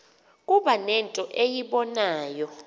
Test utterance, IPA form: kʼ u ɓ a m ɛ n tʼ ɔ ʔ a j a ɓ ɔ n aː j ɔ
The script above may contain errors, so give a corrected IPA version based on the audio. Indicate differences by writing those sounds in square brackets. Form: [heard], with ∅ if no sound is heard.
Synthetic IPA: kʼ u ɓ a [n] ɛ n tʼ ɔ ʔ [e] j [i] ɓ ɔ n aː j ɔ